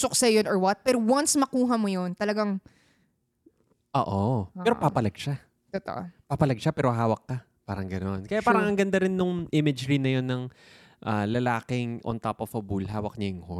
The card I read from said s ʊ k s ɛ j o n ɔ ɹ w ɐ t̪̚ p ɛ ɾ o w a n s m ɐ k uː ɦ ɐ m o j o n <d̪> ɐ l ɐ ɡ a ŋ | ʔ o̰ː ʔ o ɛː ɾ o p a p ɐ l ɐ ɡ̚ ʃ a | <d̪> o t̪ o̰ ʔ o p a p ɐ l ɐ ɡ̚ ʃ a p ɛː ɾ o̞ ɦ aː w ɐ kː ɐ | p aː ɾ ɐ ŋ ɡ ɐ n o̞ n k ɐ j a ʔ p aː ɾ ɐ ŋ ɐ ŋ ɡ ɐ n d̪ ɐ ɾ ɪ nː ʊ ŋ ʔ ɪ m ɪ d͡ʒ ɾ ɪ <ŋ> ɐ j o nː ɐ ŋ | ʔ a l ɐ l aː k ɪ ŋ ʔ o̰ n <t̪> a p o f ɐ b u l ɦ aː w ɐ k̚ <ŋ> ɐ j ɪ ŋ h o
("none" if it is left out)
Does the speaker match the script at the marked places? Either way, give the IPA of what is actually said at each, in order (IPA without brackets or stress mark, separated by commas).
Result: t̪, t̪, n, t̪, ɲ